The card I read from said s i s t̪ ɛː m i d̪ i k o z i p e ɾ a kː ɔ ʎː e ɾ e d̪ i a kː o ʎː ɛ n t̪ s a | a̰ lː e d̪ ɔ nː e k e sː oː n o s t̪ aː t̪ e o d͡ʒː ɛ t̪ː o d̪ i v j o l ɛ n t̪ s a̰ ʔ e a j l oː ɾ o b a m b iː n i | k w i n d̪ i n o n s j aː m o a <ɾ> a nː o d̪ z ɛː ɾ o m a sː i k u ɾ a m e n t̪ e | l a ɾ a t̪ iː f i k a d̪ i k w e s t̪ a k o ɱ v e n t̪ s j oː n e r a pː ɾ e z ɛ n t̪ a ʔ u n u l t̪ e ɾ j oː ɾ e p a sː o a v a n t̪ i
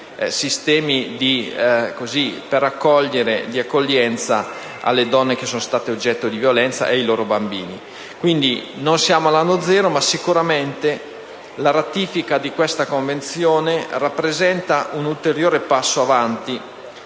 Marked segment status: incorrect: l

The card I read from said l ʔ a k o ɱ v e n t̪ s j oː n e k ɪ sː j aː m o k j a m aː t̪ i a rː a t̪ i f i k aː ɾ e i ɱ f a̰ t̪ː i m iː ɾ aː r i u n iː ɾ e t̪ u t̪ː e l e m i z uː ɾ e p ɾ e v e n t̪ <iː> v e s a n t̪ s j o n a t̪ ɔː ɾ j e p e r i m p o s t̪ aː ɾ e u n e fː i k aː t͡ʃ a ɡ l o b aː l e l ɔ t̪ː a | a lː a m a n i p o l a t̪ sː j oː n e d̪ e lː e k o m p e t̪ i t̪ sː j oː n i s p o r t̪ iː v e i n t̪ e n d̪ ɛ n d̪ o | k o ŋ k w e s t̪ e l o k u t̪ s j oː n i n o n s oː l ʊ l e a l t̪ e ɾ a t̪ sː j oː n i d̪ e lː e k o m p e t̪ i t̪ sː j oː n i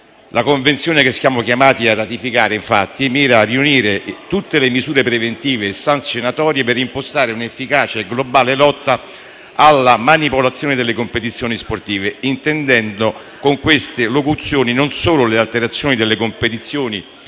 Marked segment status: correct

